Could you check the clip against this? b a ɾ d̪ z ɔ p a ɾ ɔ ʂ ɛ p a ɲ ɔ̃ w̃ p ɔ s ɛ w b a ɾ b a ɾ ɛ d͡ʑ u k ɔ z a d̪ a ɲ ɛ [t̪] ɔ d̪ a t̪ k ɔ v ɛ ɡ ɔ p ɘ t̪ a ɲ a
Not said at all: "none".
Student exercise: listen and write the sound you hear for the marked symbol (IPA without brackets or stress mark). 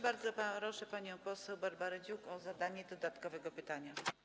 d̪